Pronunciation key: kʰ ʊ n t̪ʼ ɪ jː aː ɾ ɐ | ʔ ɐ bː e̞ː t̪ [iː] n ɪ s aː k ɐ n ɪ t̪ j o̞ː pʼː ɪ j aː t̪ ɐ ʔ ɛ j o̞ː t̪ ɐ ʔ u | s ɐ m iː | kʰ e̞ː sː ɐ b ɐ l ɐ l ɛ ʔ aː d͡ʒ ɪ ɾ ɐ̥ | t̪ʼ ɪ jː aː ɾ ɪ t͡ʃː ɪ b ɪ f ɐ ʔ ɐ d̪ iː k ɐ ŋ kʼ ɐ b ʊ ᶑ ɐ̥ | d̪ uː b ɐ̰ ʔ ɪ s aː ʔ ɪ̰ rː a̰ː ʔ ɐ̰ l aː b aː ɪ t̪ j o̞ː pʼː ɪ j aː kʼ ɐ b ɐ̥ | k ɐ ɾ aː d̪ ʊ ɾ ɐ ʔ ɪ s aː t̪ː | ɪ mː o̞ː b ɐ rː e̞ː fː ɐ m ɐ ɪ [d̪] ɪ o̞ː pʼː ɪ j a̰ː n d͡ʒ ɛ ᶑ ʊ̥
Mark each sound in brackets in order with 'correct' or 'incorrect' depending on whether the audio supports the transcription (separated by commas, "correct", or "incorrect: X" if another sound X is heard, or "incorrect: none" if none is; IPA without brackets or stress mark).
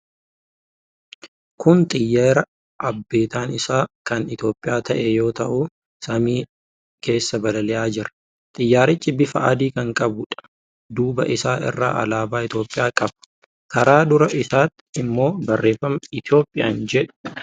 incorrect: aː, incorrect: t̪